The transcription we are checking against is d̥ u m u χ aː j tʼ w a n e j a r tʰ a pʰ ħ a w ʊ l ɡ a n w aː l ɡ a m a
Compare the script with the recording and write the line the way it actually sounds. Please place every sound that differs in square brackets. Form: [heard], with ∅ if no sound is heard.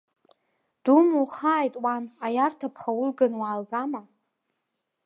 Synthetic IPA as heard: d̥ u m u χ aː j tʼ w a n [a] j a r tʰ a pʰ [χ] a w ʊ l ɡ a n w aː l ɡ a m a